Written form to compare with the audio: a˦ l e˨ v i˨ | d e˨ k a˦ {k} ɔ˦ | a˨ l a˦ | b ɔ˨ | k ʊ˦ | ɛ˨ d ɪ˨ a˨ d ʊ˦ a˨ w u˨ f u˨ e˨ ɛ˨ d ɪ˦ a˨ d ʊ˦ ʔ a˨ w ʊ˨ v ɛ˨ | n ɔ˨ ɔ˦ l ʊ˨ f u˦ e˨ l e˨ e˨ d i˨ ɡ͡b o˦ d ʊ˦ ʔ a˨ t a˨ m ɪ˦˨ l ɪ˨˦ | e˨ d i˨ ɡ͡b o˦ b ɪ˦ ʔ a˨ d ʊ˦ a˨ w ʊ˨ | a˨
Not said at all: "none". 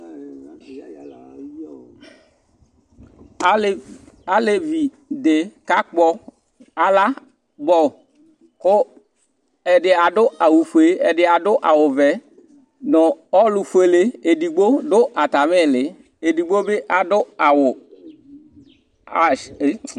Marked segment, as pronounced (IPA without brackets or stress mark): k͡p